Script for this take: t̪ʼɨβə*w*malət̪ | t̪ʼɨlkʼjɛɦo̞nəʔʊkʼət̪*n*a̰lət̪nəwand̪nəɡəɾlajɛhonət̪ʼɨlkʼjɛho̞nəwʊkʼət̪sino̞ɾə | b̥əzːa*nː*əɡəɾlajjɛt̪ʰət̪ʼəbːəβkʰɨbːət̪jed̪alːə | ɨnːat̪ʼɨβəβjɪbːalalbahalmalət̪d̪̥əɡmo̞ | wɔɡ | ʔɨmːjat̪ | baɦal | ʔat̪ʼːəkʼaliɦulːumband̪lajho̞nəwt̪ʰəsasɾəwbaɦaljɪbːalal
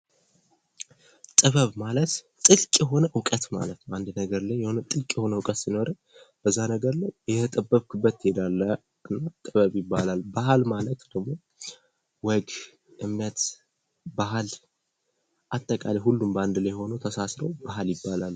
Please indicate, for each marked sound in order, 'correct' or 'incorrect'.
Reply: incorrect, incorrect, incorrect

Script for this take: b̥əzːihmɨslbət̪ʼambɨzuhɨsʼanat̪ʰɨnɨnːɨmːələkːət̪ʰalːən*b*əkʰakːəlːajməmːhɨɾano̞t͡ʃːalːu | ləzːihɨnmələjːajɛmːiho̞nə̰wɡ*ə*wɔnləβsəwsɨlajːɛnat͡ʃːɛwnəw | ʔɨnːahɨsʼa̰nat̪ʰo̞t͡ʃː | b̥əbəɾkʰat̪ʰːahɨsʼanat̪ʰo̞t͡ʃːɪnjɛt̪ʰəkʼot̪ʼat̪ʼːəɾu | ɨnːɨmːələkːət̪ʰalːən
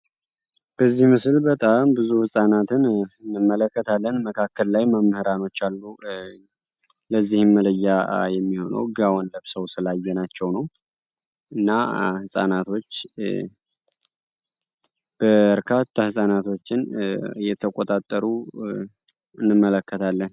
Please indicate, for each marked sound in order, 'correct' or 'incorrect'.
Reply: incorrect, incorrect

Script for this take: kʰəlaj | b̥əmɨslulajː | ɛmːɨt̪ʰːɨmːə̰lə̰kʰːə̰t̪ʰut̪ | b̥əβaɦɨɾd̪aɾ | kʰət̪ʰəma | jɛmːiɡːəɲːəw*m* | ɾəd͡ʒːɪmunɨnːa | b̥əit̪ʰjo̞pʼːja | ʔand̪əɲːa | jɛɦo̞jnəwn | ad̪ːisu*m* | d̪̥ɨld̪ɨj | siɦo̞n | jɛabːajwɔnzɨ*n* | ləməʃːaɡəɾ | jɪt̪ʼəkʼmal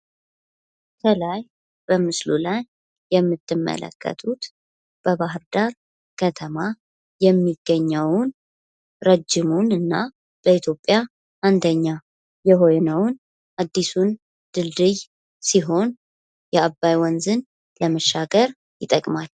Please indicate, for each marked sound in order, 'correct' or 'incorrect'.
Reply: incorrect, incorrect, correct

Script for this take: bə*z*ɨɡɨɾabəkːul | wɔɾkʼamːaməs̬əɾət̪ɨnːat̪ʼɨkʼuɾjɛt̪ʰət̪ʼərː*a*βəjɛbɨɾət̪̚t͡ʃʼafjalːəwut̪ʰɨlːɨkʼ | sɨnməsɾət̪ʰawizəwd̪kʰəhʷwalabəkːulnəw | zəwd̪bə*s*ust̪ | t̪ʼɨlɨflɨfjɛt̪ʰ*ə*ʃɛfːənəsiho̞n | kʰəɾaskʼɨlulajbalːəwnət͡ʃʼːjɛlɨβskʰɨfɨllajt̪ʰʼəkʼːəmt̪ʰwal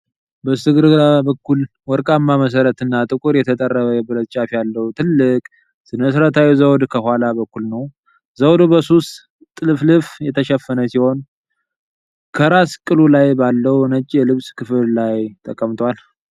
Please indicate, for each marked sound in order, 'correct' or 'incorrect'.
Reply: incorrect, incorrect, correct, correct

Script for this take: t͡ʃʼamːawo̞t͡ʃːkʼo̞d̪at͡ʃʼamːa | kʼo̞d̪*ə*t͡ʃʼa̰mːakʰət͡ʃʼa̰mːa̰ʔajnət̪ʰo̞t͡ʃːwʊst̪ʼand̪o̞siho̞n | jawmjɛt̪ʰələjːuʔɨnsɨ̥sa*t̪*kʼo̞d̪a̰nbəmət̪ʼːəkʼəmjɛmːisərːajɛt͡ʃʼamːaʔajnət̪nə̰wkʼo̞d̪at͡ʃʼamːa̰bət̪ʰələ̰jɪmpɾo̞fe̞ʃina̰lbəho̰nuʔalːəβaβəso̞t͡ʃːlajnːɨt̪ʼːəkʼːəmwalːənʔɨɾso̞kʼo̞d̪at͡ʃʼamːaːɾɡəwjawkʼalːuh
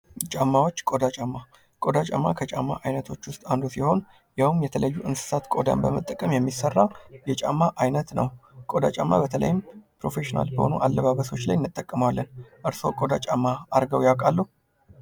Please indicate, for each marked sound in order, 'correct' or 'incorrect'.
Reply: incorrect, correct

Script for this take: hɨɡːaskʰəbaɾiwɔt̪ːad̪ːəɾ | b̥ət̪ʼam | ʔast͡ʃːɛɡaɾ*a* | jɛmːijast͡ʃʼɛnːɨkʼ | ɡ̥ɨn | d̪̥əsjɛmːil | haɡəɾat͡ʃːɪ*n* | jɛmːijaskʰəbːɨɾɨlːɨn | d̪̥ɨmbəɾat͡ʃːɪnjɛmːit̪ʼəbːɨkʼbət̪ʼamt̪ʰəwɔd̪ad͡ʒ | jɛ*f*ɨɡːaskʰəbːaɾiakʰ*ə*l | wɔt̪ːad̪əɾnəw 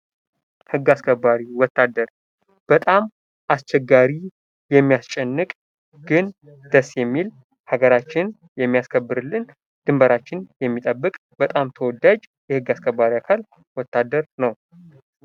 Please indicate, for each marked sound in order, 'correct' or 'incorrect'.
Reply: incorrect, correct, incorrect, incorrect

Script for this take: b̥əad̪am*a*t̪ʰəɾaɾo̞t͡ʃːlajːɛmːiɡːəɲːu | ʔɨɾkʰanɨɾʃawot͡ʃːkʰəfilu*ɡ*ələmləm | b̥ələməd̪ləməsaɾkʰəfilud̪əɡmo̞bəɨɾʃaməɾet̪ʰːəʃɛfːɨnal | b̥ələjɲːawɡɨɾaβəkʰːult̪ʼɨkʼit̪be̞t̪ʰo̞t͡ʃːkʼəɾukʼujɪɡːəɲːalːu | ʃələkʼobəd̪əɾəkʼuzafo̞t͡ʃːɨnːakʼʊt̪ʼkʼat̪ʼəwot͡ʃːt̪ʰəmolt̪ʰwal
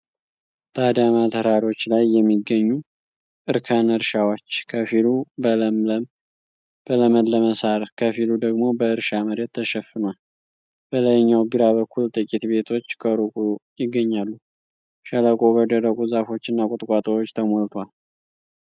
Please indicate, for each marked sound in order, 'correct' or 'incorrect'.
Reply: correct, incorrect

